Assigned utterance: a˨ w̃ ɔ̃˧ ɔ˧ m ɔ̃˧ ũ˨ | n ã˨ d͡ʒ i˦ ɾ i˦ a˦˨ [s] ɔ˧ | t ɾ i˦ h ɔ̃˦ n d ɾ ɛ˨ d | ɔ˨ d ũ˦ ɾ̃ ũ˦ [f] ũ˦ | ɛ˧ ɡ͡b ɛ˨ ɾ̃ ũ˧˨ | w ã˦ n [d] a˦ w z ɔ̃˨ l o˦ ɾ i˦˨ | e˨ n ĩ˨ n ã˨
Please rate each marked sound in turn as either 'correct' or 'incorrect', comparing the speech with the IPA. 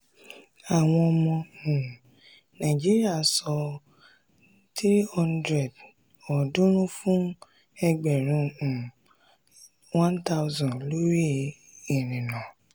correct, correct, incorrect: t

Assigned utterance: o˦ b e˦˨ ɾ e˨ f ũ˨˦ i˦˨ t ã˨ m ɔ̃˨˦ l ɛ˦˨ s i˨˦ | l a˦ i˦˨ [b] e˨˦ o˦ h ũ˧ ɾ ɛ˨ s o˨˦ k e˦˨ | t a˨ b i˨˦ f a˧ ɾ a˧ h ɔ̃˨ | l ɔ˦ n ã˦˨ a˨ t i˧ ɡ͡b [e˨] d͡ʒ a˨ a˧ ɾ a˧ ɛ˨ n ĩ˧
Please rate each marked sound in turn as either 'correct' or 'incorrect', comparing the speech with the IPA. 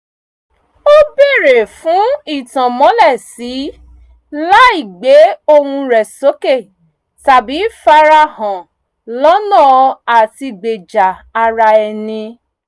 incorrect: ɡ͡b, correct

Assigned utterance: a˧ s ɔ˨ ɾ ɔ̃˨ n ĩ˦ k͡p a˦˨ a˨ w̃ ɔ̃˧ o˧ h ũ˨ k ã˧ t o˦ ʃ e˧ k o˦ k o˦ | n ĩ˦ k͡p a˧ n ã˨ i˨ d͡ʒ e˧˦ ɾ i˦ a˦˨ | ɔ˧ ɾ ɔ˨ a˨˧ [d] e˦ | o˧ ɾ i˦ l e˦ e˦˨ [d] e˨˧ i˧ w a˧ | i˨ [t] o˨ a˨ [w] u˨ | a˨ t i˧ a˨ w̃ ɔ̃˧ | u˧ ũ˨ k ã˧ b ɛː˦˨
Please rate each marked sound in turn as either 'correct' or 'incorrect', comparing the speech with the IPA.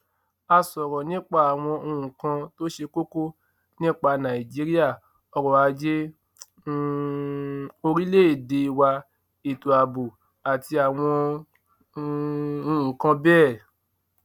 incorrect: d͡ʒ, correct, correct, incorrect: b

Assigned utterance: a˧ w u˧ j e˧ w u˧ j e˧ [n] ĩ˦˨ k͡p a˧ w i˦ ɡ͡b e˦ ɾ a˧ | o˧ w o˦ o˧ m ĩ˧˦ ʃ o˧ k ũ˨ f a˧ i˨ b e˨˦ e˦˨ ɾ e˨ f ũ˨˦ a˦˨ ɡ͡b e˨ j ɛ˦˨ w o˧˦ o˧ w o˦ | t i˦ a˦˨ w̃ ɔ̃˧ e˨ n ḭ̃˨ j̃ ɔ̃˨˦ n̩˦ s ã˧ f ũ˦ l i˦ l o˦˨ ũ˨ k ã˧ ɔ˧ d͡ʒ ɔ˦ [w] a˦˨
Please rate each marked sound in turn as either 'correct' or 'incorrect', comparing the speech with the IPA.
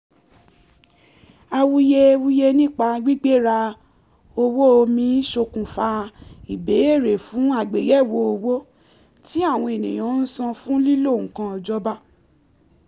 correct, incorrect: b

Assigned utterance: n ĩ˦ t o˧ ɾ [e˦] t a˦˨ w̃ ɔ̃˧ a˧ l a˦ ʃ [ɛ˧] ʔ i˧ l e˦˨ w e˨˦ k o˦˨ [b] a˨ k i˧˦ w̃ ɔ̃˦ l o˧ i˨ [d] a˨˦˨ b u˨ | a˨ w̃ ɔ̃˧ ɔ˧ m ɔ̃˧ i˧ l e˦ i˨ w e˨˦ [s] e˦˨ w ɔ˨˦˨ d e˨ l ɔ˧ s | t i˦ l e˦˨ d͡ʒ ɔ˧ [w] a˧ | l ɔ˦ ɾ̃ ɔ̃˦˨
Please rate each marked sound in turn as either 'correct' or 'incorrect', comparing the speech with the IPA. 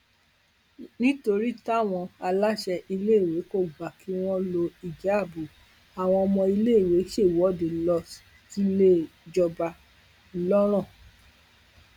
incorrect: i˦, correct, incorrect: ɡ͡b, incorrect: d͡ʒ, incorrect: ʃ, incorrect: b

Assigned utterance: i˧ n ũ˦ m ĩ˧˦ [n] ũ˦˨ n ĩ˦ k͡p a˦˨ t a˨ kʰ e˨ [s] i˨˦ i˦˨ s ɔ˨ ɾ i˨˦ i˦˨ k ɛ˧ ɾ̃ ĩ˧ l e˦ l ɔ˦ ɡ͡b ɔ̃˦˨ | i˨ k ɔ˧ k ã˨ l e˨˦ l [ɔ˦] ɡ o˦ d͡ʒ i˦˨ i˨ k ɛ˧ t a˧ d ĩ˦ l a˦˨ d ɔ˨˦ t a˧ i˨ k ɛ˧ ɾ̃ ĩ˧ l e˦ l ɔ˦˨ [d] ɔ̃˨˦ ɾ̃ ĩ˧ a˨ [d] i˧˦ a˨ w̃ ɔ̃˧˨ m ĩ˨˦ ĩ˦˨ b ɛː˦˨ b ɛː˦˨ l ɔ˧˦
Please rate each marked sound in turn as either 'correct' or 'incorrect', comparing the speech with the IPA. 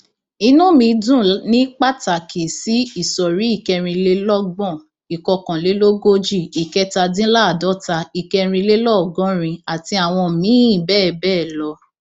incorrect: d, correct, incorrect: o˦, incorrect: ɡ, incorrect: t

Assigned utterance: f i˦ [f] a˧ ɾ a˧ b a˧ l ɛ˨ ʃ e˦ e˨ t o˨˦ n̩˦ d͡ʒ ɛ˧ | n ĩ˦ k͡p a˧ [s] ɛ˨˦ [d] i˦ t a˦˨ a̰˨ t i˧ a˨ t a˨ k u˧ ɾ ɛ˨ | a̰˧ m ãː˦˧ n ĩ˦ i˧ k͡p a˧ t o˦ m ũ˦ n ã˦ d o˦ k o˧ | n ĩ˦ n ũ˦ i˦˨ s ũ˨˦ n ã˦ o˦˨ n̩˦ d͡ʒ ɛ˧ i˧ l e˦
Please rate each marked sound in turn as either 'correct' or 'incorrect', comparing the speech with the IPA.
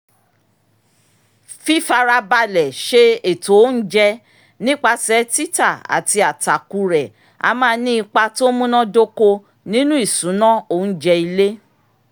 correct, correct, incorrect: t

